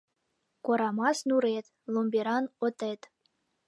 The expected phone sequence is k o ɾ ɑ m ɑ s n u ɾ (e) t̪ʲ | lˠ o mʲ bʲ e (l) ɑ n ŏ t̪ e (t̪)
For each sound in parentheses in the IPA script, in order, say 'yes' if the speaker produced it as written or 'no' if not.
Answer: yes, no, yes

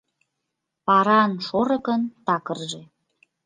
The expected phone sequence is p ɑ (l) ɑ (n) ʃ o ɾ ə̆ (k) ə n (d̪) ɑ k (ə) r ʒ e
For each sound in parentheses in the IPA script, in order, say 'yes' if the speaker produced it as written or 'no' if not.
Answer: no, yes, yes, no, yes

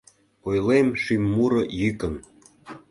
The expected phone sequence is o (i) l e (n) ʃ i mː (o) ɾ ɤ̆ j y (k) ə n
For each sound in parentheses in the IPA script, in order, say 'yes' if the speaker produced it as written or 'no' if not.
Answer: no, no, no, yes

